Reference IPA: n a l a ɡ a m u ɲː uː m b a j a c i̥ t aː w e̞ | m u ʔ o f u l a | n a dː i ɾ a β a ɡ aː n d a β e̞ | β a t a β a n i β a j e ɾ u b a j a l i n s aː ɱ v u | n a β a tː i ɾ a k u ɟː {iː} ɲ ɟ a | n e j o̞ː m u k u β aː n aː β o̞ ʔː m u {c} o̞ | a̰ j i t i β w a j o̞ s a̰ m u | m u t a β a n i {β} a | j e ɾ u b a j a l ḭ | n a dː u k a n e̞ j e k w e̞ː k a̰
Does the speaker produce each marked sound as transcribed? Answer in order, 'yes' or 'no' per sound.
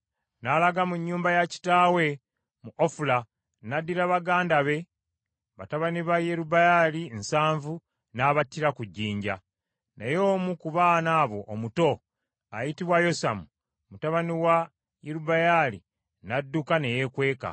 yes, no, no

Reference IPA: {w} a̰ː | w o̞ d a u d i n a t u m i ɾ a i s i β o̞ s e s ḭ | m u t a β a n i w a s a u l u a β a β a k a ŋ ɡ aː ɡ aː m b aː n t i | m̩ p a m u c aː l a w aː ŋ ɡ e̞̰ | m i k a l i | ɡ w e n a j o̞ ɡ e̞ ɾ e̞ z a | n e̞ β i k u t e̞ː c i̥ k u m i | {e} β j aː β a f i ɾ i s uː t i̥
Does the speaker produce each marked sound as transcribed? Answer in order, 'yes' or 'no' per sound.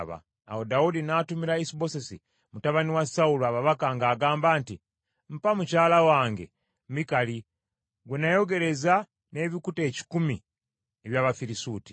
no, yes

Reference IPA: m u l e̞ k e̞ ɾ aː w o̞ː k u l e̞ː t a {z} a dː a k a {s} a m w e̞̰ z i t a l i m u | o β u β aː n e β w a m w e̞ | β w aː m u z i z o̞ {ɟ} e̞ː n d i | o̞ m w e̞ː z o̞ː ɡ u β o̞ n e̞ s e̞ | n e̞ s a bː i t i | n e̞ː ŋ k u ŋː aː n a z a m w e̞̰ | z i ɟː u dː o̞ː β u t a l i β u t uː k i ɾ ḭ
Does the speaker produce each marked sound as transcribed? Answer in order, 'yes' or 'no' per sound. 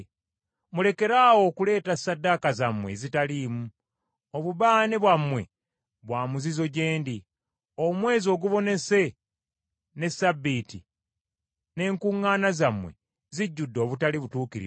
no, no, yes

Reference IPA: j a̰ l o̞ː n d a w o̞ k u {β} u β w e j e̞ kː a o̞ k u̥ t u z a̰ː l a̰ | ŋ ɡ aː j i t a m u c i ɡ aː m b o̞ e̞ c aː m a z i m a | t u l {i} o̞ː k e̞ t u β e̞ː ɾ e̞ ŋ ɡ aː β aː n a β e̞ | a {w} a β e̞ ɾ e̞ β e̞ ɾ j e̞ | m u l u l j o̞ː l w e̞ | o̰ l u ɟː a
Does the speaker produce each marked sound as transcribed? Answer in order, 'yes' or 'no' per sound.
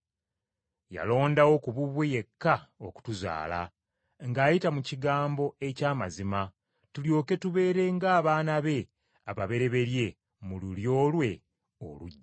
yes, no, no

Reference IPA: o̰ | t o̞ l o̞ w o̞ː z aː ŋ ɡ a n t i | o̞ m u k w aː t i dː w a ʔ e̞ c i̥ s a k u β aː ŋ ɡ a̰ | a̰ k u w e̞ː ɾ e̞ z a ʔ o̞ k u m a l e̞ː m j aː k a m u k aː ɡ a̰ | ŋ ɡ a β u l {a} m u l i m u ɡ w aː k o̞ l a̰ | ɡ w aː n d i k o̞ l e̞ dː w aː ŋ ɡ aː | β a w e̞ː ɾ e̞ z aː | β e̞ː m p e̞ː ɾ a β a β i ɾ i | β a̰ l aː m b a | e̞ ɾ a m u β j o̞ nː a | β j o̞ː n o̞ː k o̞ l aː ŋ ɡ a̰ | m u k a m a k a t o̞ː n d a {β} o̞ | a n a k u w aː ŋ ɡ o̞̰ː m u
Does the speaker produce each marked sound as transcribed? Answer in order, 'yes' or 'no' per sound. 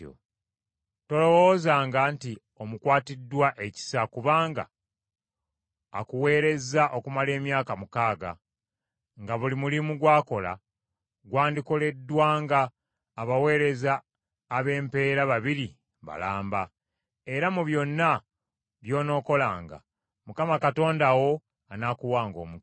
no, no

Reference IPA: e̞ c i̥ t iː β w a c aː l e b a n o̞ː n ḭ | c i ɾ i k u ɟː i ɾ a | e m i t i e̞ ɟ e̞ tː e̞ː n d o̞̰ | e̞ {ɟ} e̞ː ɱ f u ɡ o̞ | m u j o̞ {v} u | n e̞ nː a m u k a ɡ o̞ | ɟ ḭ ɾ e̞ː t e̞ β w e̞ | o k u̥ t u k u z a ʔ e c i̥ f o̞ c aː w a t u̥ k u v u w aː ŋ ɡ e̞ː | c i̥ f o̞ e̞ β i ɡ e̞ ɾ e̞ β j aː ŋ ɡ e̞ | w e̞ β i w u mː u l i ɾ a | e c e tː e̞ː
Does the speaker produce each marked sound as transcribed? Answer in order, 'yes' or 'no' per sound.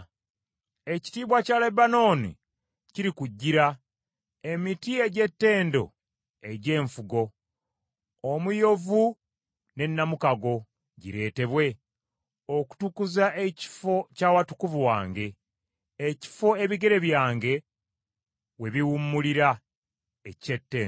yes, yes

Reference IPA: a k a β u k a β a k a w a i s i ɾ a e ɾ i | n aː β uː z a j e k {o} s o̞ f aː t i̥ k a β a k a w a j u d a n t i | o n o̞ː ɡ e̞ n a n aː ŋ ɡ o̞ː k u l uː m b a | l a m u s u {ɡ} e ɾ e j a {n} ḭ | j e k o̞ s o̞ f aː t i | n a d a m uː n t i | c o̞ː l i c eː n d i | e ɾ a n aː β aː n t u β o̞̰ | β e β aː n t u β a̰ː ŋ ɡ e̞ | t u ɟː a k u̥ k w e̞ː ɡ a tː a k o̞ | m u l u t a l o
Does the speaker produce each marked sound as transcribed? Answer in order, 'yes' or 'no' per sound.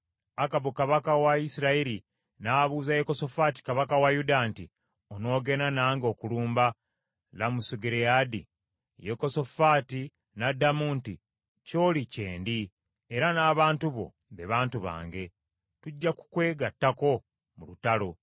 yes, yes, no

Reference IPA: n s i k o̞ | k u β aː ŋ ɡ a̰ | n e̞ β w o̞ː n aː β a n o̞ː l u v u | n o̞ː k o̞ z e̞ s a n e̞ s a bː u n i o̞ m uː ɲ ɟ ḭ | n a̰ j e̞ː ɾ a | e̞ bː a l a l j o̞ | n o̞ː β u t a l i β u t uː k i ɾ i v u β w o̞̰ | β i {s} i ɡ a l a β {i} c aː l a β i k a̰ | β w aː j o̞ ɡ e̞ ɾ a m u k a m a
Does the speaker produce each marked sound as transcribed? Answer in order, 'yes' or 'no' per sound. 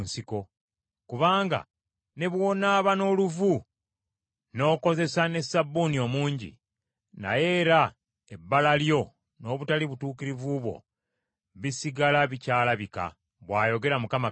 yes, yes

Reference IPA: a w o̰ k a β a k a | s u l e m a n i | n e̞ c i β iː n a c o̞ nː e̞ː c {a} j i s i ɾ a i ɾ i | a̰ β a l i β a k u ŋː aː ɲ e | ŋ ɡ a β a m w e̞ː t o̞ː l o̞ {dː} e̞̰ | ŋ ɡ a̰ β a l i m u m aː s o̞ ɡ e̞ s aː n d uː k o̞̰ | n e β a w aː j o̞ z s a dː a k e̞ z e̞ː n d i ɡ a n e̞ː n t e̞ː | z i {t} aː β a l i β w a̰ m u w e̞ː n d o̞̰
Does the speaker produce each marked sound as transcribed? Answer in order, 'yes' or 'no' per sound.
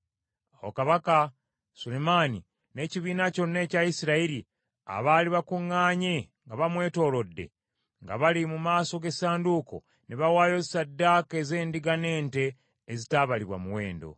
yes, yes, yes

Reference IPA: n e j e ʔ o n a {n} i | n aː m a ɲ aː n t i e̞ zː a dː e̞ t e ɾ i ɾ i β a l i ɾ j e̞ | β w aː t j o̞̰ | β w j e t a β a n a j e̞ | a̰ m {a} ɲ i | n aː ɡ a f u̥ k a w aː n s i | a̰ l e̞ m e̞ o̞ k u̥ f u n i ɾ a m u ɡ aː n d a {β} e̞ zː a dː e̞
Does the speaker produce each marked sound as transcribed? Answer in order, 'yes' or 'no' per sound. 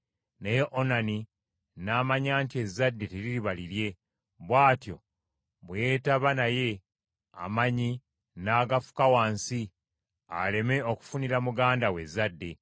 yes, yes, no

